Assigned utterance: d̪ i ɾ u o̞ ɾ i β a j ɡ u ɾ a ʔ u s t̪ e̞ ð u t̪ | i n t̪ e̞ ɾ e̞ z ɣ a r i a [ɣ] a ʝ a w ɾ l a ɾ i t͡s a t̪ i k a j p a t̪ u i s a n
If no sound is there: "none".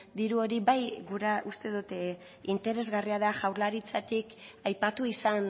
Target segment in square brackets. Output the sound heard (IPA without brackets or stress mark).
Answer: ð